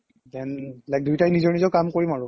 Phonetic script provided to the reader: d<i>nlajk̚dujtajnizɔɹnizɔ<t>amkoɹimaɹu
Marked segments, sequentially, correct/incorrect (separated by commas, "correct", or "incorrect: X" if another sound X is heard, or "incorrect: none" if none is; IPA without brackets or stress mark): incorrect: ɛ, incorrect: k